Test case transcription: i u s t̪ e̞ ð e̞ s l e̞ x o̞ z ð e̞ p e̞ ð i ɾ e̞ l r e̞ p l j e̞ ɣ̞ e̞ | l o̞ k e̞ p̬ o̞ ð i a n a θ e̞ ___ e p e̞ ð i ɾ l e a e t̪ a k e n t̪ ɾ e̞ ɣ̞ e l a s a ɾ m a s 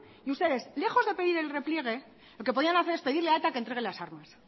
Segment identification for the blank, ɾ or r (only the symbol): ɾ